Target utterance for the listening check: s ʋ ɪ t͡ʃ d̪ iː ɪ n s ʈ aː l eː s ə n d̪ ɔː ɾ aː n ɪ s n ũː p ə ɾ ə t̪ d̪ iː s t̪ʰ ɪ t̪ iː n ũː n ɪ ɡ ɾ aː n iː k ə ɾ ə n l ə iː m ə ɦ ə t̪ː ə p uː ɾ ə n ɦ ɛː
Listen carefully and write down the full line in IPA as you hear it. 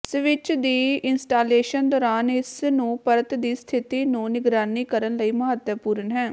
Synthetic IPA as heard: s ʋ ɪ t͡ʃ d̪ iː ɪ n s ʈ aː l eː ʃ ə n d̪ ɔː ɾ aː n ɪ s n ũː p ə ɾ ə t̪ d̪ iː s t̪ʰ ɪ t̪ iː n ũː n ɪ ɡ ɾ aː n iː k ə ɾ ə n l ə iː m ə ɦ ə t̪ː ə p uː ɾ ə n ɦ ɛː